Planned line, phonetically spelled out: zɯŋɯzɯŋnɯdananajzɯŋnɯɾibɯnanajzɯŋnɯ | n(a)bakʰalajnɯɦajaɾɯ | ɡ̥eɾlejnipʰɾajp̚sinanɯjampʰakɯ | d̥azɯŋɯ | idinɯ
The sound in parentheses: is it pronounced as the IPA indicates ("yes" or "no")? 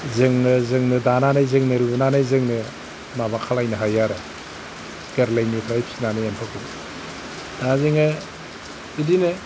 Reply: yes